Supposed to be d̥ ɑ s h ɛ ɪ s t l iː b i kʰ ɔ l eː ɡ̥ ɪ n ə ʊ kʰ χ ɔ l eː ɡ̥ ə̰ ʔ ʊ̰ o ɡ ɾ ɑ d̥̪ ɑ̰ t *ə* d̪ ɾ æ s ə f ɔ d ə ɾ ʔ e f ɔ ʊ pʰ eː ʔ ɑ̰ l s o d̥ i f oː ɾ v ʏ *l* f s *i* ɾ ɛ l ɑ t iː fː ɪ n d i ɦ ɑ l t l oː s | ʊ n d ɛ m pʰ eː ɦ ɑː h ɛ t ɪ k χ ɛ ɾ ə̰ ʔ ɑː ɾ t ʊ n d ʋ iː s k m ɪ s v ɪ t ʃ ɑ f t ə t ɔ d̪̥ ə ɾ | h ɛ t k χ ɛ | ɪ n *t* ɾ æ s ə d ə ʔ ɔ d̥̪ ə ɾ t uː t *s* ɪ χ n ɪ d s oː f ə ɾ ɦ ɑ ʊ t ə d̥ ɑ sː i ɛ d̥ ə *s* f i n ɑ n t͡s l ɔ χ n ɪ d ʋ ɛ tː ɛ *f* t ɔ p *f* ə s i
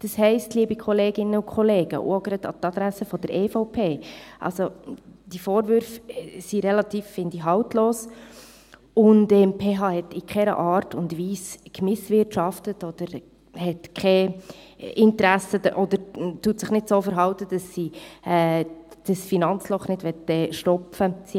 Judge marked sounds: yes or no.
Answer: no, no, yes, yes, yes, yes, no, yes

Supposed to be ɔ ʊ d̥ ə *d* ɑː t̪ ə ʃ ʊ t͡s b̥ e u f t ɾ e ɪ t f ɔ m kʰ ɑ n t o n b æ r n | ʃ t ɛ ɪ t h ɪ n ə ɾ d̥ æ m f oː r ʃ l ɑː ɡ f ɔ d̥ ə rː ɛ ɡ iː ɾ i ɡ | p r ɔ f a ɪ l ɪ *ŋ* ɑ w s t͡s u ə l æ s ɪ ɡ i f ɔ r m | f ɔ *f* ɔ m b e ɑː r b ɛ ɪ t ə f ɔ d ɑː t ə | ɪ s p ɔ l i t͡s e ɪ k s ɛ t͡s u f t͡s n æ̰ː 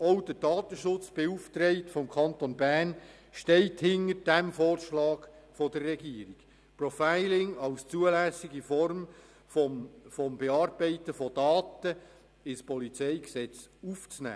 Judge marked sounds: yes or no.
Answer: yes, yes, yes

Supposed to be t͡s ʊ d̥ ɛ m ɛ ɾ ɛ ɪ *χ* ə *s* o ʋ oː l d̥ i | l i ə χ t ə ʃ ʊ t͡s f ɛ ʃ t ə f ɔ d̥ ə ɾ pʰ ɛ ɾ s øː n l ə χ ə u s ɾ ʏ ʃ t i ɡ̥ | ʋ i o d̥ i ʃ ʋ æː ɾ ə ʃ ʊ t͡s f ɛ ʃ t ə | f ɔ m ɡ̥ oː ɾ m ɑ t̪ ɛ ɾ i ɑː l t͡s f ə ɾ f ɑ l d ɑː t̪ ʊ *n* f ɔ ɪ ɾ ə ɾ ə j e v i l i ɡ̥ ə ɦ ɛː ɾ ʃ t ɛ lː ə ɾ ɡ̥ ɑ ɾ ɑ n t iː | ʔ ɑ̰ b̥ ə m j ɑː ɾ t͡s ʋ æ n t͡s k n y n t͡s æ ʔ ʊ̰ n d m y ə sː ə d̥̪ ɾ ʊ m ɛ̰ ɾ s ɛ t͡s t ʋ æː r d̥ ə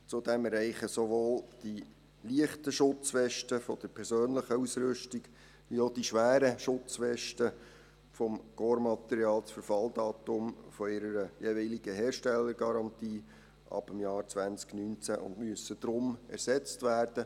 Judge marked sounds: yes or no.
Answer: yes, yes, no

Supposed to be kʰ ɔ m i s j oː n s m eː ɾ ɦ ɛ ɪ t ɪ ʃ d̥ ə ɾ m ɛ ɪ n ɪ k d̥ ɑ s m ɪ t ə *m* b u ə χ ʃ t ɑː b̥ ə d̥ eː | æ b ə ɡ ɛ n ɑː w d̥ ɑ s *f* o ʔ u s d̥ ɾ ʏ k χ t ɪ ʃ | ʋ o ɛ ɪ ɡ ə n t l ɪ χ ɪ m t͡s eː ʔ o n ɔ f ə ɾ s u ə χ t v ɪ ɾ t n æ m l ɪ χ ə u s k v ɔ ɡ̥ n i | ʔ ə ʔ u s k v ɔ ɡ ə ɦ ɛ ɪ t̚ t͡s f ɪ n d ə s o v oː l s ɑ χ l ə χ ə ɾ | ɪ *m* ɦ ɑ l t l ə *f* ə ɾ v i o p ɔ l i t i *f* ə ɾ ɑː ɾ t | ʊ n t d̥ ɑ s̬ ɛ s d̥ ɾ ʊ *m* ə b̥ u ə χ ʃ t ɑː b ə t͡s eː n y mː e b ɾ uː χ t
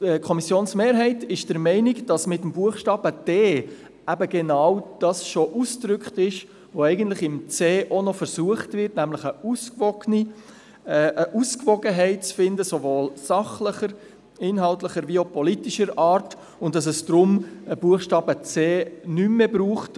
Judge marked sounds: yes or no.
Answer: yes, no, no, no, no, yes

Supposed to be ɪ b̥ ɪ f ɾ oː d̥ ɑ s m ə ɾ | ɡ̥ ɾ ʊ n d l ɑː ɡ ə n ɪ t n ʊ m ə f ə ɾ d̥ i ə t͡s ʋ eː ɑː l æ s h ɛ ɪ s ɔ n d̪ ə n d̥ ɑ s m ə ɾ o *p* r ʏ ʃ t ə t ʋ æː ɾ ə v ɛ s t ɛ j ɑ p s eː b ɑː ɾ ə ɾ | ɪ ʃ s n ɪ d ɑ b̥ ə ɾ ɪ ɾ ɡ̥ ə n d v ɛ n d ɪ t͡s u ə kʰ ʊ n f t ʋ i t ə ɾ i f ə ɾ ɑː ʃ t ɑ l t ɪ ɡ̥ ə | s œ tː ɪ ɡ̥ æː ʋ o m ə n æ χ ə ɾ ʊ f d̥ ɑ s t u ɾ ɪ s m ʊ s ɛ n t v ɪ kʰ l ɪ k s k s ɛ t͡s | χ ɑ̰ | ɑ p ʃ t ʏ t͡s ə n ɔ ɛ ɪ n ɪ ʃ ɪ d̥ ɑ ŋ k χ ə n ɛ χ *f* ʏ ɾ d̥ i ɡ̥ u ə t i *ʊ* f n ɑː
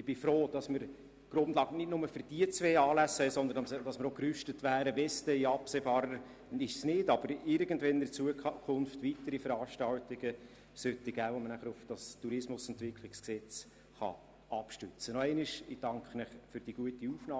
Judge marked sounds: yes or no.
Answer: no, yes, no

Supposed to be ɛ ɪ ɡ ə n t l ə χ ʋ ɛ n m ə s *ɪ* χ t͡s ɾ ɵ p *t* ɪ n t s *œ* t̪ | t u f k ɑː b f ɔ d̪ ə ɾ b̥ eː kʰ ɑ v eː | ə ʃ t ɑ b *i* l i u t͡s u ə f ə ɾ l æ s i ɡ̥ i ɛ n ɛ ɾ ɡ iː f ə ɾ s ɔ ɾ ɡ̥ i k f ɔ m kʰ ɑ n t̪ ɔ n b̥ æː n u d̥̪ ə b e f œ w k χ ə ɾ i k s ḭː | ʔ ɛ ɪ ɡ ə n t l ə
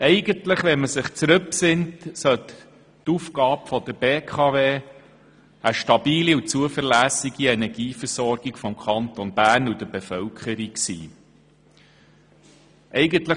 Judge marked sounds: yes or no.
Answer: yes, no, yes, no

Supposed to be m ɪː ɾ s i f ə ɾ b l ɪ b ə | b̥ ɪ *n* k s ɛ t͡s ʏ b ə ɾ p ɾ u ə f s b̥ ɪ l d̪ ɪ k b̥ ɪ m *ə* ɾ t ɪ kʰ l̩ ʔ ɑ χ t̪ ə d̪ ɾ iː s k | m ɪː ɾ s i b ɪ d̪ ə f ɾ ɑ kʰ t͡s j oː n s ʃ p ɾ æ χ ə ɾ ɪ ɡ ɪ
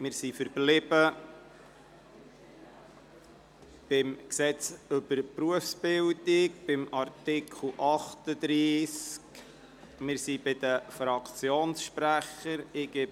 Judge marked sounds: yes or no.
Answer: no, no

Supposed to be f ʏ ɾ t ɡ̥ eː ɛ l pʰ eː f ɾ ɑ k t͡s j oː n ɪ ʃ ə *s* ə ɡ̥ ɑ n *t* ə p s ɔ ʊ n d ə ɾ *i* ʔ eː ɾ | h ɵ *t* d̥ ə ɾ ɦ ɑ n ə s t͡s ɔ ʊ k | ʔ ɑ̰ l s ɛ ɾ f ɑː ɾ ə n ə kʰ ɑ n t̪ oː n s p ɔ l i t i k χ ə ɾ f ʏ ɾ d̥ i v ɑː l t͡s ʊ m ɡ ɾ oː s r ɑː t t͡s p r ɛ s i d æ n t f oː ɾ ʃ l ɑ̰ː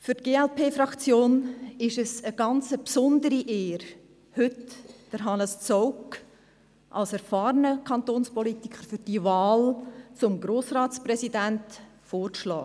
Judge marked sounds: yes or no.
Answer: yes, no, yes, yes

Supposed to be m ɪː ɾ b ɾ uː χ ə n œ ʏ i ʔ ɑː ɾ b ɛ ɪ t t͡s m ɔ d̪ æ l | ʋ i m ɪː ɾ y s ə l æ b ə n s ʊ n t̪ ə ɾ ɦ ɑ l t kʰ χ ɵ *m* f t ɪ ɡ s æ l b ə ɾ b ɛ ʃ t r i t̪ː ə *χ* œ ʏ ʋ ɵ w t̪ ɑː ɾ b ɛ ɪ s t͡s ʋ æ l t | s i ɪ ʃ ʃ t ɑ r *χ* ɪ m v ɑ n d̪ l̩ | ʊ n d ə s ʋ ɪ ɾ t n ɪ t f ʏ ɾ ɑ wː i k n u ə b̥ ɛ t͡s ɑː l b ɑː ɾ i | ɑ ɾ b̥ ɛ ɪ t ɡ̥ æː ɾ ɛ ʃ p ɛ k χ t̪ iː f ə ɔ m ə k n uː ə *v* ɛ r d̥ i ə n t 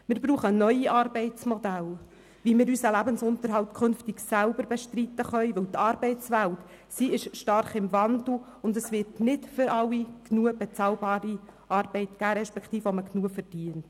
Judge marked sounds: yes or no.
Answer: no, yes, yes, no

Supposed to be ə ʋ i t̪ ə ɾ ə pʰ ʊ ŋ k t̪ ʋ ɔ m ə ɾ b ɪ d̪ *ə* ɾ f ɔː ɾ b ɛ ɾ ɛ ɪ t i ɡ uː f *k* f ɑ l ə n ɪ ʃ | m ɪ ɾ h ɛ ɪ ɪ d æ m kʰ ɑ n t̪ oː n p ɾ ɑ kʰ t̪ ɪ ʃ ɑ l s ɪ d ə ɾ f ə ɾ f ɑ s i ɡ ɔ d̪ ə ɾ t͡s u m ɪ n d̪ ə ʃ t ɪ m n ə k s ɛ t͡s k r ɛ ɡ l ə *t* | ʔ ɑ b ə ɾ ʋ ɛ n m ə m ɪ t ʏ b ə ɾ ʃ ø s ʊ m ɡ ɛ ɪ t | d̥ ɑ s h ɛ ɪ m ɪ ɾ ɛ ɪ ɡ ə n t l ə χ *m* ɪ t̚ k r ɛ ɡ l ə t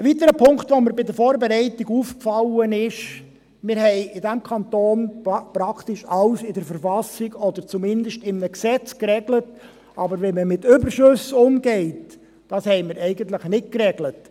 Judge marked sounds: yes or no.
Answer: yes, yes, yes, no

